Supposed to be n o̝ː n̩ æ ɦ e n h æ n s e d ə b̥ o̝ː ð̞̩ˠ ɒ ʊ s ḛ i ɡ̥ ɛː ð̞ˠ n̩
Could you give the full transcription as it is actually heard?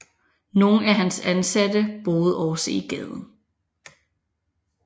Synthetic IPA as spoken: n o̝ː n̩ æ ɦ æ n s æ n s æ d ə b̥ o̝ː ð̞̩ˠ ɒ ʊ s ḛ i ɡ̥ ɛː ð̞ˠ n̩

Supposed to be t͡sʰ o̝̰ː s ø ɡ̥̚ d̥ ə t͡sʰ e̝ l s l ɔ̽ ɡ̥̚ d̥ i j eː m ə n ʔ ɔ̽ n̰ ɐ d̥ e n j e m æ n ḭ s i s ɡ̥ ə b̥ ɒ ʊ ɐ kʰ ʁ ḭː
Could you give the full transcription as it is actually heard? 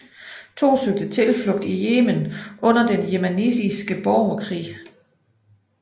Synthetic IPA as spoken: t͡sʰ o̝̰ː s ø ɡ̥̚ d̥ ə t͡sʰ e̝ l f l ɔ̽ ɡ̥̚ d̥ i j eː m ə n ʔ ɔ̽ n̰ ɐ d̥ e n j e m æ n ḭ s i s ɡ̥ ə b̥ ɒ ʊ ɐ kʰ ʁ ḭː

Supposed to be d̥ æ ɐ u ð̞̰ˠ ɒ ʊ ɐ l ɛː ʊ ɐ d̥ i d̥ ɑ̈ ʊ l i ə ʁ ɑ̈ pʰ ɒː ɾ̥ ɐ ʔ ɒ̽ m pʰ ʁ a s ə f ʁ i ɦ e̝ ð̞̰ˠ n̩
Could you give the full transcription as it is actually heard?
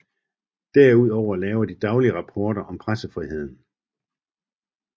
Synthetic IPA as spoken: d̥ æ ɐ u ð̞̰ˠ ɒ ʊ ɐ l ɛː ʊ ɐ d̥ i d̥ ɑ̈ ʊ l i ə ʁ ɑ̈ pʰ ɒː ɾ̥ ɐ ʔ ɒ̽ m pʰ ʁ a s ə f ʁ i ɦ e̝ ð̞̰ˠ n̩

